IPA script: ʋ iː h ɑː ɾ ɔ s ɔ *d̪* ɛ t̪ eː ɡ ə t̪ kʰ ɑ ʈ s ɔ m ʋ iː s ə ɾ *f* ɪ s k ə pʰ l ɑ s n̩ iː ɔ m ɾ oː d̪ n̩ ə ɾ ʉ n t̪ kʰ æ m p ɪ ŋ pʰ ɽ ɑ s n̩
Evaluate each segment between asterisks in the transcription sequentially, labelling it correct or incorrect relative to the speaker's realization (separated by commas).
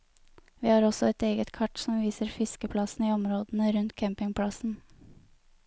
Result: incorrect, correct